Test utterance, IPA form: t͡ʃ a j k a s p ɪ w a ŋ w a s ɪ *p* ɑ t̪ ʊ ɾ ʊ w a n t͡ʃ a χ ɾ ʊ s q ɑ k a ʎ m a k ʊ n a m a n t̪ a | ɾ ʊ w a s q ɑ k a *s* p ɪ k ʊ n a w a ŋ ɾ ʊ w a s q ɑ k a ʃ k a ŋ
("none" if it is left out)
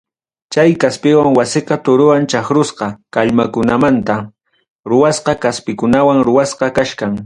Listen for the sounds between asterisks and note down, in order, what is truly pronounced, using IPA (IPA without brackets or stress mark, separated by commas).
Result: q, s